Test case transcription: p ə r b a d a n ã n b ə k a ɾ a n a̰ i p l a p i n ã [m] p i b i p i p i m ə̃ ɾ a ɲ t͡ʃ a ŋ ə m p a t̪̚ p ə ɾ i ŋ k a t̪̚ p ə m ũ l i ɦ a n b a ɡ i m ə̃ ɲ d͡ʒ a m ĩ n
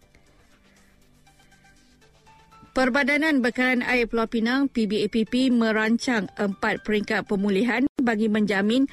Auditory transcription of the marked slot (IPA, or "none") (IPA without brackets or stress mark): ŋ